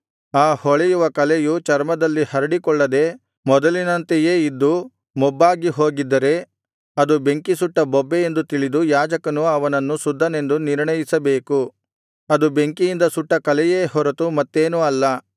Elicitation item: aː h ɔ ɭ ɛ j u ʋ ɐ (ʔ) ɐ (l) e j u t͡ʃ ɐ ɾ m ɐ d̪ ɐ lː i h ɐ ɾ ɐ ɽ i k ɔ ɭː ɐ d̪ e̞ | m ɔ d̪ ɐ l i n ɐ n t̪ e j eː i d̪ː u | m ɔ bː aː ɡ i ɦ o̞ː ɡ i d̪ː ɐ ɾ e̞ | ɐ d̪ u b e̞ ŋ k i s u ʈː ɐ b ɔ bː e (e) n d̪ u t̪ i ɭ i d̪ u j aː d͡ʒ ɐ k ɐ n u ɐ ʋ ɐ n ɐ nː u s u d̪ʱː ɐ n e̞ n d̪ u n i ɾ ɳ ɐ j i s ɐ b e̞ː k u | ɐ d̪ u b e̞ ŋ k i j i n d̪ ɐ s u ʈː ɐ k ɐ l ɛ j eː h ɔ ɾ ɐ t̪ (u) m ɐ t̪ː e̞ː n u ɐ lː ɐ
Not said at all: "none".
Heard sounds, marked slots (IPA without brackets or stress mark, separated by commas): k, l, e, u